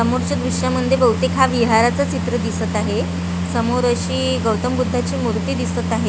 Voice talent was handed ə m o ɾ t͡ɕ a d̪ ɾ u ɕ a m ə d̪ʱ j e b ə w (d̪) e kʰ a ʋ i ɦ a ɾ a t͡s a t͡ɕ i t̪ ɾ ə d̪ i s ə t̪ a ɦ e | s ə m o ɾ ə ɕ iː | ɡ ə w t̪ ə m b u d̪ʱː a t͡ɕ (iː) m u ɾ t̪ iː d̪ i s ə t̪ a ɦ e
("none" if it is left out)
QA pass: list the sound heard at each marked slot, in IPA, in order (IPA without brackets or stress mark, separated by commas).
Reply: t̪, iː